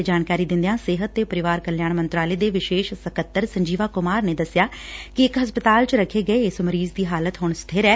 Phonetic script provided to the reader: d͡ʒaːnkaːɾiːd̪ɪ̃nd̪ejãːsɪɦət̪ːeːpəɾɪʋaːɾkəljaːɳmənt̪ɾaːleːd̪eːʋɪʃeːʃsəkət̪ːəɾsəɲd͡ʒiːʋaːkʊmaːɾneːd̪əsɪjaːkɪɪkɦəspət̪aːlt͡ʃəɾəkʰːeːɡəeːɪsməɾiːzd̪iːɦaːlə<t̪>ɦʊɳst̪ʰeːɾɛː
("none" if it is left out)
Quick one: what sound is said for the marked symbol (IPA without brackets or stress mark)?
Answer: t̪